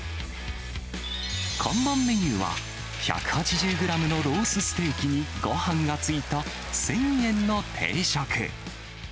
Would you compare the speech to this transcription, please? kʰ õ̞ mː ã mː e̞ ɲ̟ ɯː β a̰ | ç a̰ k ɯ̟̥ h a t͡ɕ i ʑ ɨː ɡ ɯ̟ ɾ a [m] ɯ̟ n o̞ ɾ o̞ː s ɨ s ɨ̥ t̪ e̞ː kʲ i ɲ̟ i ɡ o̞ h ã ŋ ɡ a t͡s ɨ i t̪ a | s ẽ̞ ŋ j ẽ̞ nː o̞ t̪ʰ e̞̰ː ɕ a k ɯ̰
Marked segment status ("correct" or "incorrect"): correct